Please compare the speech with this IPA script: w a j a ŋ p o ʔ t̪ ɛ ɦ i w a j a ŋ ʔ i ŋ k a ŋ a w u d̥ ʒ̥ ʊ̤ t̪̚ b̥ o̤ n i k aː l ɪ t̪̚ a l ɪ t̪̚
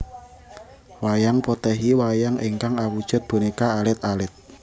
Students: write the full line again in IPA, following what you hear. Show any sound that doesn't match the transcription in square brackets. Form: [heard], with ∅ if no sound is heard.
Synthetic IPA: w a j a ŋ p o [∅] t̪ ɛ ɦ i w a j a ŋ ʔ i ŋ k a ŋ a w u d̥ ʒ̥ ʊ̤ t̪̚ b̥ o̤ n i k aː l ɪ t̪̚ a l ɪ t̪̚